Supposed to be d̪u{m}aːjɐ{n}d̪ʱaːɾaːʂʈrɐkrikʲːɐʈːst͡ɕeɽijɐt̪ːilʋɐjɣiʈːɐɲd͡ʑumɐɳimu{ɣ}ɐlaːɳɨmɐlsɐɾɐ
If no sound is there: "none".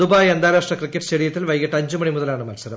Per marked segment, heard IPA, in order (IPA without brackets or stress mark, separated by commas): b, n, ð